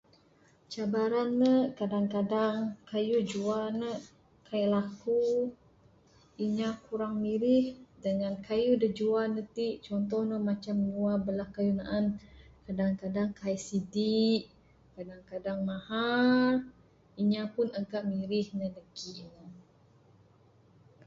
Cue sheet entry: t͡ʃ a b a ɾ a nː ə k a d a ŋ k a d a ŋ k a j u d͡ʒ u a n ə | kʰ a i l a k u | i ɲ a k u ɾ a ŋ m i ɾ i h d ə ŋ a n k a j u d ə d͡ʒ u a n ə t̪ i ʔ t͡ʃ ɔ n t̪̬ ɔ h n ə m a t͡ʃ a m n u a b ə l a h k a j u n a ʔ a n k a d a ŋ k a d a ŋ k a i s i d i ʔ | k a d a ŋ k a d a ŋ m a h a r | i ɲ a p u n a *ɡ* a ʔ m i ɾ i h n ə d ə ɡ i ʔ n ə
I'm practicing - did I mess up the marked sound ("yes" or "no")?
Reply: no